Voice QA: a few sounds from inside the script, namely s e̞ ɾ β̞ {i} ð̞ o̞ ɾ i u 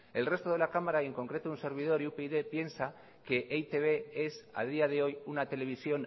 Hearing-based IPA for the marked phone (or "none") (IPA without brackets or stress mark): i